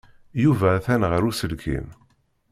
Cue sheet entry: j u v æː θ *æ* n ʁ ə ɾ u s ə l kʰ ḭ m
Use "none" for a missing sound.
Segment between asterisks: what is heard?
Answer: æ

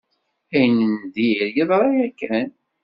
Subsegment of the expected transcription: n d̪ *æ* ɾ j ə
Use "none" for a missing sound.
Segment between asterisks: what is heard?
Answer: i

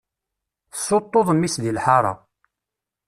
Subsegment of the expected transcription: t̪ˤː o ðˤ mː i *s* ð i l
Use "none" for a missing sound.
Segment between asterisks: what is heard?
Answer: s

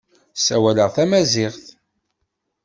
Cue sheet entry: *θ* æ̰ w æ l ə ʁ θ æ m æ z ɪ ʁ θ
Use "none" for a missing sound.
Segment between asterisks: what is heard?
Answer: s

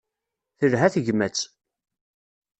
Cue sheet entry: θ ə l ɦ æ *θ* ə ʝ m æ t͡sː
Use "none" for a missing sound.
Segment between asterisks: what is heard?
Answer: θ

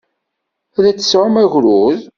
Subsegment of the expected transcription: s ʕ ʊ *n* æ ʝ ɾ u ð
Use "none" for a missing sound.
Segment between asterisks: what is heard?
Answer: m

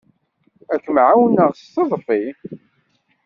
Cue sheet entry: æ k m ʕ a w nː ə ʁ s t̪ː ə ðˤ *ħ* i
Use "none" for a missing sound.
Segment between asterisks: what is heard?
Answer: f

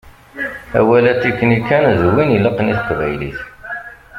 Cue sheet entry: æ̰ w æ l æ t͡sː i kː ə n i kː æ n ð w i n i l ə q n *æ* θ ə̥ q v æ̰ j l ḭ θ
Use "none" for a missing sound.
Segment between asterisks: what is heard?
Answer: i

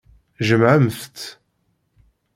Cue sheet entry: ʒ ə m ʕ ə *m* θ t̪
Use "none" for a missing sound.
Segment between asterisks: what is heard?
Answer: m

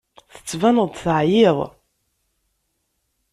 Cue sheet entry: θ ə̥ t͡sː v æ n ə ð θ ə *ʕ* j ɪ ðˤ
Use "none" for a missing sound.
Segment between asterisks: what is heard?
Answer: ʕ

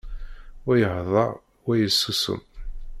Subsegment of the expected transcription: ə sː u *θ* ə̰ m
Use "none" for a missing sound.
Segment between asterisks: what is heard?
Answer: s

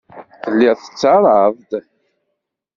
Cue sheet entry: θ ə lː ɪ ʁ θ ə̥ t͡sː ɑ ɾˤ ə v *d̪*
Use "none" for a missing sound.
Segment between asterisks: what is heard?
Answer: d̪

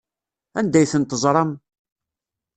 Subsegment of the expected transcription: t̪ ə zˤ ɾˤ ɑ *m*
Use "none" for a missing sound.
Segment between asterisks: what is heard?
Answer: m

